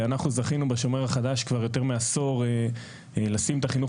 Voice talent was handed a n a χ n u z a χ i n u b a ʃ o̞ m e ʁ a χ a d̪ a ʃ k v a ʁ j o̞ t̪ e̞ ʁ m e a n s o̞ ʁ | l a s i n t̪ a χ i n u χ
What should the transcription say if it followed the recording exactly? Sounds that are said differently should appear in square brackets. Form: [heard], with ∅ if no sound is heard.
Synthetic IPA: a n a χ n u z a χ i n u b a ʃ o̞ m e ʁ a χ a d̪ a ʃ k v a ʁ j o̞ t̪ e̞ ʁ m e a [∅] s o̞ ʁ | l a s i [m] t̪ a χ i n u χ